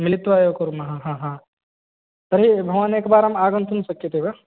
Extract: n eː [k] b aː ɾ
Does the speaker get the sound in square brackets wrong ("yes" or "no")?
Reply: no